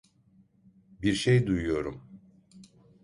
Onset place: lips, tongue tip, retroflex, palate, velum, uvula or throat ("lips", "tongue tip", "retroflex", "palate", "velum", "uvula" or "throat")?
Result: lips